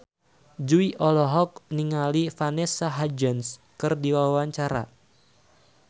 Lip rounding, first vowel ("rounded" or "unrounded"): rounded